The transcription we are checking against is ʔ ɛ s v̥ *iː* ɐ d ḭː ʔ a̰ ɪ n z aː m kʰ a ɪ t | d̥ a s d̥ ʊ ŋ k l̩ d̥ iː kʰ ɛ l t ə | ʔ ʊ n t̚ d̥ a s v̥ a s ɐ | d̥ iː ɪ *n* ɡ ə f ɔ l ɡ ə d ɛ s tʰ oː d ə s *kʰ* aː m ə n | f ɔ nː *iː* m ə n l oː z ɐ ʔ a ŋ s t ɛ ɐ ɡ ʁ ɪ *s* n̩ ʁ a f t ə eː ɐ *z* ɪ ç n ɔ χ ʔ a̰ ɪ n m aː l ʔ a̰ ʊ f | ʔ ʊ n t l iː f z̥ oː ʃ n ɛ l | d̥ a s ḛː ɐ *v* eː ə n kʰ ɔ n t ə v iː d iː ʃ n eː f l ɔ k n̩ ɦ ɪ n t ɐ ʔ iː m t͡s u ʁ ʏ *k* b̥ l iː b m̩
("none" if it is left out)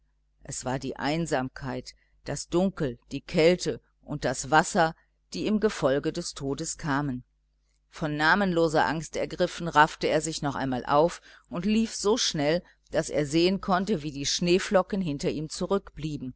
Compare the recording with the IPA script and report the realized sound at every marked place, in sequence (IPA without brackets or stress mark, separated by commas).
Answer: aː, m, kʰ, aː, f, z, z, k